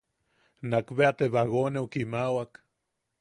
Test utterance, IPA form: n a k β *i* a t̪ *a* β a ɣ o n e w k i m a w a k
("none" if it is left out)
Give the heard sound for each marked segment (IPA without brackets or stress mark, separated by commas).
e, e